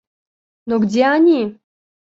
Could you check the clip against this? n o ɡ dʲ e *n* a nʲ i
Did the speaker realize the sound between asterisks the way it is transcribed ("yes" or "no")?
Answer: no